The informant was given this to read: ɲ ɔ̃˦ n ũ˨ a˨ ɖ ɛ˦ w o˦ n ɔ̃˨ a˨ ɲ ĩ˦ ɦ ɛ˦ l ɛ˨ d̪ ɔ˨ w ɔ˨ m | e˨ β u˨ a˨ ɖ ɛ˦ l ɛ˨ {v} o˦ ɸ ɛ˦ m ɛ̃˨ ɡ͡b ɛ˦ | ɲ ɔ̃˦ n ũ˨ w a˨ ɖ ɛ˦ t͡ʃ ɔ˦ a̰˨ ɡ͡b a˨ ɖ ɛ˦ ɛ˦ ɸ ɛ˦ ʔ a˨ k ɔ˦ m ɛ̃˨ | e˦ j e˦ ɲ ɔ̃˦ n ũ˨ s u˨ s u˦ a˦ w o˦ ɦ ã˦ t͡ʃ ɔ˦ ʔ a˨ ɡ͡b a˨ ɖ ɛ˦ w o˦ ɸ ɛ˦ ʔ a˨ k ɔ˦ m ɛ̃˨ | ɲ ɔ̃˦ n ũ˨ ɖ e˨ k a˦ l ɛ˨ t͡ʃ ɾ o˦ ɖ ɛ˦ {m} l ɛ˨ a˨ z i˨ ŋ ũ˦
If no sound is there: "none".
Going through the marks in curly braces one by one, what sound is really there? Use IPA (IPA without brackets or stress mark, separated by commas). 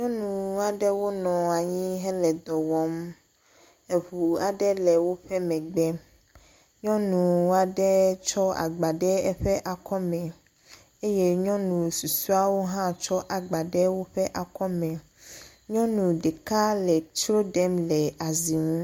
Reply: w, m